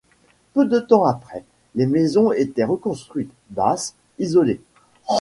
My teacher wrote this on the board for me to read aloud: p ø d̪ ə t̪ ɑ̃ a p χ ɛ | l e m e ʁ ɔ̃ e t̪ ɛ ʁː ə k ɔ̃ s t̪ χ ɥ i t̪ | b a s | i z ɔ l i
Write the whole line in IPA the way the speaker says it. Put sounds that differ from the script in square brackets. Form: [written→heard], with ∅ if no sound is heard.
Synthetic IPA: p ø d̪ ə t̪ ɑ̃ a p χ ɛ | l e m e [ʁ→z] ɔ̃ e t̪ ɛ [ʁː→ʁ] ə k ɔ̃ s t̪ χ ɥ i t̪ | b a s | i z ɔ l [i→e]